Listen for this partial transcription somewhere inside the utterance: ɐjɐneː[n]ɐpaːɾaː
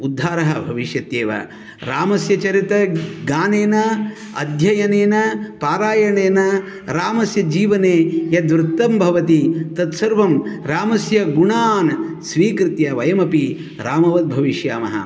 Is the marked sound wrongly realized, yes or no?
no